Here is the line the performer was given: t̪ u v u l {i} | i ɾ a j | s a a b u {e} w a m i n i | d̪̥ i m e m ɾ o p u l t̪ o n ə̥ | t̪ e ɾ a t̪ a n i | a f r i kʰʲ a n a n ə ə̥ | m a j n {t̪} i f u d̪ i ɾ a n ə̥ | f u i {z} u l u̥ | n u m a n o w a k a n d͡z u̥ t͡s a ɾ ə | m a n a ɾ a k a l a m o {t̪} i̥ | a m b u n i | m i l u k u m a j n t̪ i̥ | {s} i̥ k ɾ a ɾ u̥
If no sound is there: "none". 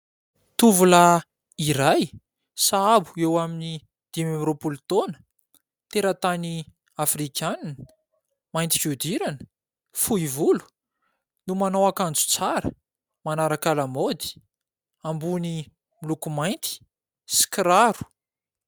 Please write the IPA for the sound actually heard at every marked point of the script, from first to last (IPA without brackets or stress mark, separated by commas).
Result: a, e, t̪, v, d̪, s